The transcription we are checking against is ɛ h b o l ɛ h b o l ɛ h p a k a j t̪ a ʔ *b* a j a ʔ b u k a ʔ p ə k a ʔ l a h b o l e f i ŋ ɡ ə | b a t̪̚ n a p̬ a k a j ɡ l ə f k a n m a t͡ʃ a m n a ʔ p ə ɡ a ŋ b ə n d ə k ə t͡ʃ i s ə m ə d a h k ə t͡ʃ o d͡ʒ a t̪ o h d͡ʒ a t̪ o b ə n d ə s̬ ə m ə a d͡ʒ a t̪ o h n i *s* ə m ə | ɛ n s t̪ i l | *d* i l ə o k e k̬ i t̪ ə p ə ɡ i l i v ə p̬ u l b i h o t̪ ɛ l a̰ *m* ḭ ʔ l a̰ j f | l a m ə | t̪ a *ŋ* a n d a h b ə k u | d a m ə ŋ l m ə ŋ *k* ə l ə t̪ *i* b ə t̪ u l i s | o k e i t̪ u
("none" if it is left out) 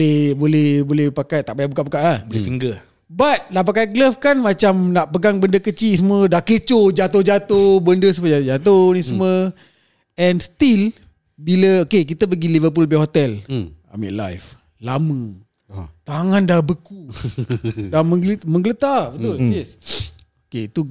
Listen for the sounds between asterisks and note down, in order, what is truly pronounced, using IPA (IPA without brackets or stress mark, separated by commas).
b, s, b, m, ŋ, ɡ, a